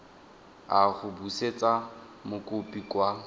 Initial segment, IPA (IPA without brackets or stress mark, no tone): a